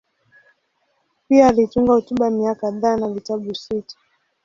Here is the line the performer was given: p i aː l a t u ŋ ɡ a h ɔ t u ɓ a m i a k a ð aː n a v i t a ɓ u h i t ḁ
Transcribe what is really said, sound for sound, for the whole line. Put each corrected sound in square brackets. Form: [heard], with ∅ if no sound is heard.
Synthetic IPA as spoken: p i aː l [i] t u ŋ ɡ a h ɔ t u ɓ a m i a k a ð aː n a v i t a ɓ u [s] i t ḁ